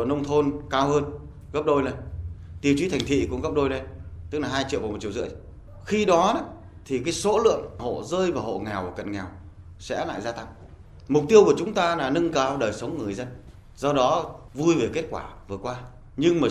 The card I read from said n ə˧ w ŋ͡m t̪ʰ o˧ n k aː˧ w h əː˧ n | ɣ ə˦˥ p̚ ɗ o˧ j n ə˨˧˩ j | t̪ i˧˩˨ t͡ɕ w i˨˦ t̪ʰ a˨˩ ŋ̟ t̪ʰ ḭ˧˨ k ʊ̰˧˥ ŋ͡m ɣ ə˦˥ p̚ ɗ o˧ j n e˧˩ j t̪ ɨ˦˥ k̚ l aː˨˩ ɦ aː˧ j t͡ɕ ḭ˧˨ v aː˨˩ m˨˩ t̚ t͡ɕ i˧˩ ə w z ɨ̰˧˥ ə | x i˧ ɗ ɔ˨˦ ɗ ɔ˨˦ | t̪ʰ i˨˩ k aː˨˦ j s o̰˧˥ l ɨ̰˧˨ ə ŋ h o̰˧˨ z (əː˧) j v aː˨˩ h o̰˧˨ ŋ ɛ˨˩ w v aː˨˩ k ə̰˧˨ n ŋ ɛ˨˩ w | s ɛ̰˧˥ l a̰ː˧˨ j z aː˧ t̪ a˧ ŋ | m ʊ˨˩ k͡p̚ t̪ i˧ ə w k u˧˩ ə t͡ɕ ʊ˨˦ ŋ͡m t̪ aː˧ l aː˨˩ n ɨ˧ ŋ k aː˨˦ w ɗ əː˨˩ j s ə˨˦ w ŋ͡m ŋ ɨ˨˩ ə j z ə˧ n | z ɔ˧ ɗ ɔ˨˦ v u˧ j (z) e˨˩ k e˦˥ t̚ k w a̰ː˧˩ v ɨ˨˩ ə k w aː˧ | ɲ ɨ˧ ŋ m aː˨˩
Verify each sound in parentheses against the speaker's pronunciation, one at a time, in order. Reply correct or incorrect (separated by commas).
correct, incorrect